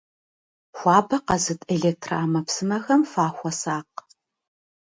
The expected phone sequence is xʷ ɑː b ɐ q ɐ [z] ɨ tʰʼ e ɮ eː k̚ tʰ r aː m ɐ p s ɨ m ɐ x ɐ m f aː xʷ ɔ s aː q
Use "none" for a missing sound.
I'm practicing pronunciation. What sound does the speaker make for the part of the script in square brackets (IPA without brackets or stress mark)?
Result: z